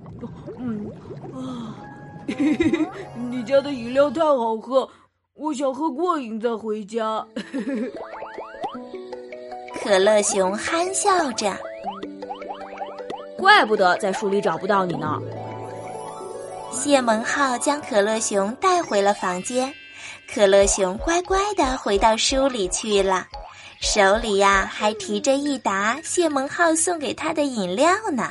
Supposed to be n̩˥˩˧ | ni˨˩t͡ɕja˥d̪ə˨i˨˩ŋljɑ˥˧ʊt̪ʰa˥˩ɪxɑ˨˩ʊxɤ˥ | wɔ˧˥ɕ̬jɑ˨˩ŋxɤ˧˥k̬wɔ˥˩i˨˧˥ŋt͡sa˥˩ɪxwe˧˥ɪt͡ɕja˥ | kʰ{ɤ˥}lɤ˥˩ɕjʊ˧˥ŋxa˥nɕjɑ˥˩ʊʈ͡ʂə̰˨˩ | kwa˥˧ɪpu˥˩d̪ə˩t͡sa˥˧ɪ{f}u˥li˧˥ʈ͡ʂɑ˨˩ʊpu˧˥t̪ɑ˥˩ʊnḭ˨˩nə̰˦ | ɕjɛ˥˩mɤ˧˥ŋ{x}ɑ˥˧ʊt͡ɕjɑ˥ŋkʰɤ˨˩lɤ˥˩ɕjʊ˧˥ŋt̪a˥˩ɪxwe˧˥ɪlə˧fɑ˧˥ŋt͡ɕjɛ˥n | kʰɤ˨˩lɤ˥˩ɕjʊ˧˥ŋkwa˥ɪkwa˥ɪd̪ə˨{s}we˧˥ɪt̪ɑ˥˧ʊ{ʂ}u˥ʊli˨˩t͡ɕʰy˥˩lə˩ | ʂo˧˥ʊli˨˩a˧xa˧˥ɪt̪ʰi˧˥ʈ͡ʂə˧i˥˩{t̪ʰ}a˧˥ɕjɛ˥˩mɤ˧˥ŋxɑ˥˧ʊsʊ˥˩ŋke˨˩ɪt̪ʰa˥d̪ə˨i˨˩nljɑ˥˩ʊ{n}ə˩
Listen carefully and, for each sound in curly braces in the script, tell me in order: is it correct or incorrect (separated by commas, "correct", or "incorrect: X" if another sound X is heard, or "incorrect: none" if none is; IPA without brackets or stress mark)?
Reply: incorrect: ɤ˨˩, incorrect: ʂ, correct, incorrect: x, correct, incorrect: t̪, correct